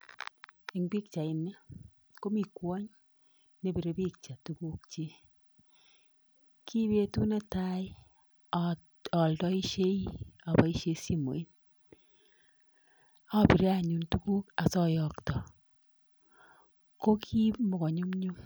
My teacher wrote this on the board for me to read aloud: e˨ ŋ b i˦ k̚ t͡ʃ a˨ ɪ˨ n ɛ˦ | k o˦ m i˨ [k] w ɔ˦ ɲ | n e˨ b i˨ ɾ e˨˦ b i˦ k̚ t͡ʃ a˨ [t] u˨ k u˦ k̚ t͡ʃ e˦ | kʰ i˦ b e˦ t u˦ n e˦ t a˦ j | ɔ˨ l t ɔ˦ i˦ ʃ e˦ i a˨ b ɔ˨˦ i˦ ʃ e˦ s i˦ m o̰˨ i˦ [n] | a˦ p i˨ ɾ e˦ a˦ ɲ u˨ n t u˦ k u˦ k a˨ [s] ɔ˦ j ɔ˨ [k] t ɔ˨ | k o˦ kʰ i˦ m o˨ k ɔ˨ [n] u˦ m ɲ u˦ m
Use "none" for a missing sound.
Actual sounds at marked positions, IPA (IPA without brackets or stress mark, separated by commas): k, t, n, s, k, ɲ